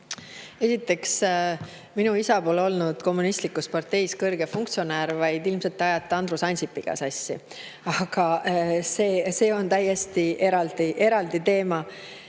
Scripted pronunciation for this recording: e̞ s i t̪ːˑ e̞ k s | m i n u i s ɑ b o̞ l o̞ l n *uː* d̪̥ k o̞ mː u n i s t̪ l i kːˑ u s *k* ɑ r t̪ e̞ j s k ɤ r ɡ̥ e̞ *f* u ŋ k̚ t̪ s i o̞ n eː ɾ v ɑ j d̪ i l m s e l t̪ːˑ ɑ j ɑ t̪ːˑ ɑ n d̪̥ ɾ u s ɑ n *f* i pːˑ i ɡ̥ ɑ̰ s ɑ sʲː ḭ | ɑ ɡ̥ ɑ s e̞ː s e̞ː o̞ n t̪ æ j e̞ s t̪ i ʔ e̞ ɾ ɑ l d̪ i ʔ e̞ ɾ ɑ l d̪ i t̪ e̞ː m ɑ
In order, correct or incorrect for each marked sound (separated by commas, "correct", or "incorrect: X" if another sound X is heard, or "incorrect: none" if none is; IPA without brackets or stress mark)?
incorrect: u, incorrect: p, correct, incorrect: s